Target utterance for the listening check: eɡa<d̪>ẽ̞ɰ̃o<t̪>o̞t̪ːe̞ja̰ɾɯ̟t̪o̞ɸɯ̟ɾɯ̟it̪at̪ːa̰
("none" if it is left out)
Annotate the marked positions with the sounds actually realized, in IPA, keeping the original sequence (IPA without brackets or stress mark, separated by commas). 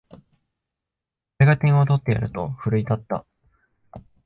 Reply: t̪, t̪